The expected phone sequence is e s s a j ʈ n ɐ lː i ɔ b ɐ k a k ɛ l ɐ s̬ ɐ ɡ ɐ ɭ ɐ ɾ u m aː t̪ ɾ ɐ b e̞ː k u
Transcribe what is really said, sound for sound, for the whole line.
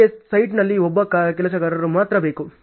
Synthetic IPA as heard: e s s ɐ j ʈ n ɐ lː i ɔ bː ɐ k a k ɛ l ɐ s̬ ɐ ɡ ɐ ɾ ɐ ɾ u m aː t̪ ɾ ɐ b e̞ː k u